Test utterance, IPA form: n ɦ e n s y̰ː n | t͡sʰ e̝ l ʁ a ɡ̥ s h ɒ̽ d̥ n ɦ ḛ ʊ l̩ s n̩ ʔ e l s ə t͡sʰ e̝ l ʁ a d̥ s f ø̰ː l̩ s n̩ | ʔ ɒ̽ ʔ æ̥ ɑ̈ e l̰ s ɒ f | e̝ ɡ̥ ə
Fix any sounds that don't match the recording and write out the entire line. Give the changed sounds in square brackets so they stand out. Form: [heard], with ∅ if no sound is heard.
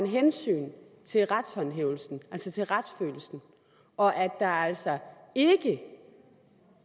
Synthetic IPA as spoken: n ɦ e n s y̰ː n | t͡sʰ e̝ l ʁ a [d̥] s h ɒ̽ [∅] n ɦ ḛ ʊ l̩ s n̩ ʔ [æ] l s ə t͡sʰ e̝ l ʁ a d̥ s f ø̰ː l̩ s n̩ | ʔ ɒ̽ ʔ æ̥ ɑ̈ [æ] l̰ s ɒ [∅] | e̝ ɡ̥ ə